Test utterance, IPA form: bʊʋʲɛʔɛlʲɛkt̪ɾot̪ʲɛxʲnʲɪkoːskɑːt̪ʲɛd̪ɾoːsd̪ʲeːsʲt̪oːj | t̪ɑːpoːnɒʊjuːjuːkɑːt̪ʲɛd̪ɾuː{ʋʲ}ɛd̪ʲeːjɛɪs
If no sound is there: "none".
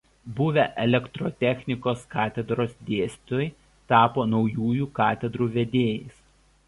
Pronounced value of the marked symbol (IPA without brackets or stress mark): ʋʲ